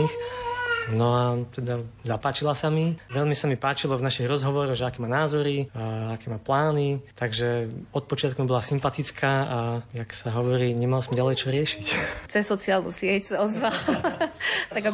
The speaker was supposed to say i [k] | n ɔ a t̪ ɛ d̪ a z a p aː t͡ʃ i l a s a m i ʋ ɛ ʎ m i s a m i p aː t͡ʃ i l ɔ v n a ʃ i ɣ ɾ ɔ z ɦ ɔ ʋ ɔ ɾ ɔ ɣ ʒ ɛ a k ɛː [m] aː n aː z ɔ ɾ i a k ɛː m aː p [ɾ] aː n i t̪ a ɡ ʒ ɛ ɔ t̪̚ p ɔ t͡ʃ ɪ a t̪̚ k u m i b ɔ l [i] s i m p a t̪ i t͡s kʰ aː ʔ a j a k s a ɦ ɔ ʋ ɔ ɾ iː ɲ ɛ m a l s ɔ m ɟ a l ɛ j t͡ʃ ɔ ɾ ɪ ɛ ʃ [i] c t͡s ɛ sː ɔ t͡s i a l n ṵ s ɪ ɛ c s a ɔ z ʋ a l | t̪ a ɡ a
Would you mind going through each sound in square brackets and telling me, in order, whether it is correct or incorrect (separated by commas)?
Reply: incorrect, correct, incorrect, incorrect, correct